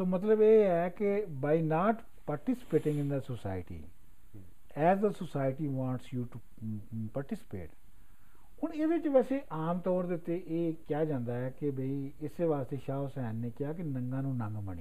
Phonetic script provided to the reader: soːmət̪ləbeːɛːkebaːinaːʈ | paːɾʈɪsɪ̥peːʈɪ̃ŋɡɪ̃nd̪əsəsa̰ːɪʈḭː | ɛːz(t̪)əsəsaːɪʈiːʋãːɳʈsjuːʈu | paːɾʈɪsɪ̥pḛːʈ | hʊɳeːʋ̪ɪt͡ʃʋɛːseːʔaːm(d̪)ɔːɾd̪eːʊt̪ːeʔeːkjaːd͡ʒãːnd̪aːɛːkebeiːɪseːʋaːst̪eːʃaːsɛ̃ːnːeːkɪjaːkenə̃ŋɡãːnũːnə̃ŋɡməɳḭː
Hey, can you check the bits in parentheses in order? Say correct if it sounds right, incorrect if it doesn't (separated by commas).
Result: incorrect, incorrect